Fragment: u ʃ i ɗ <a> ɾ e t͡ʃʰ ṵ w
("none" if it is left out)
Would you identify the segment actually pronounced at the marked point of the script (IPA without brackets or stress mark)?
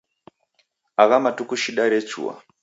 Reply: a